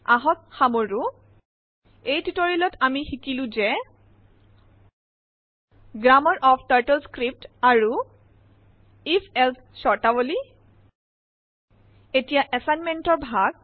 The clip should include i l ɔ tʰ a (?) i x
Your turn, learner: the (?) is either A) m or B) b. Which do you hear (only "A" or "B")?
A